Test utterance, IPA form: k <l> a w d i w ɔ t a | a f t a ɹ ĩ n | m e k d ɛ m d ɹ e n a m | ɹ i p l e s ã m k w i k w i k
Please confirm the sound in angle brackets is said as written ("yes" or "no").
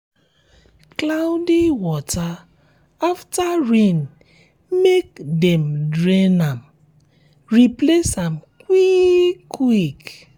yes